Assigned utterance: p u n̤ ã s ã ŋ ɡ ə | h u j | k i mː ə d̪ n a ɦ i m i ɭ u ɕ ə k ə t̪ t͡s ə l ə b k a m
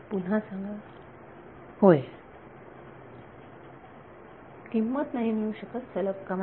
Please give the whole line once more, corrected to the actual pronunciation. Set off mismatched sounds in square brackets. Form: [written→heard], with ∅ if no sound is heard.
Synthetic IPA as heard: p u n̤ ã s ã ŋ ɡ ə | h [u→o] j | k i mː ə [d̪→t̪] n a ɦ i m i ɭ u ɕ ə k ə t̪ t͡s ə l ə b k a m